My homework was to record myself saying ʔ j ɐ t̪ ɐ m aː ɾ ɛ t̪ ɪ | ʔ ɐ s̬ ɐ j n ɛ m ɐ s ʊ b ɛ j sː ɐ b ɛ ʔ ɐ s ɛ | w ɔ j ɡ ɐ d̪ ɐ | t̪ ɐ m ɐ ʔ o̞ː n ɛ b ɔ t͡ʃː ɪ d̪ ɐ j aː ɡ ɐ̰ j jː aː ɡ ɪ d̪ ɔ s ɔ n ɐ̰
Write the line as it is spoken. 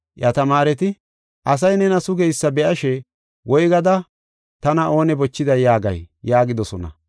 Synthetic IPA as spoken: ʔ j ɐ t̪ ɐ m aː ɾ ɛ t̪ ɪ | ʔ ɐ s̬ ɐ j n ɛ n ɐ s ʊ ɡ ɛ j sː ɐ b ɛ ʔ ɐ ʃ ɛ | w ɔ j ɡ ɐ d̪ ɐ | t̪ ɐ n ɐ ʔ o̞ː n ɛ b ɔ t͡ʃː ɪ d̪ ɐ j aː ɡ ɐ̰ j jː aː ɡ ɪ d̪ ɔ s ɔ n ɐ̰